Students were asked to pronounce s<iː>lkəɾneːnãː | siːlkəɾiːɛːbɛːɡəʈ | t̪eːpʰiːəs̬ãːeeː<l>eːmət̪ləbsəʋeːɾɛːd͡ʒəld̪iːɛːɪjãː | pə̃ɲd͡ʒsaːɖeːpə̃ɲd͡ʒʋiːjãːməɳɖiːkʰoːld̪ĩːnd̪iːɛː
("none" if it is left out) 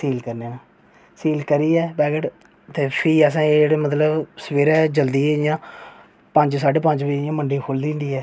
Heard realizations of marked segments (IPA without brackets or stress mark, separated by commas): iː, ɽ